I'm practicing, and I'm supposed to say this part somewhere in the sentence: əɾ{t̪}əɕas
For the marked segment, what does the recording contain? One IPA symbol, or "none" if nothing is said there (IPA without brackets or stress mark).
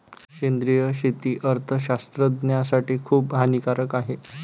t̪ʰ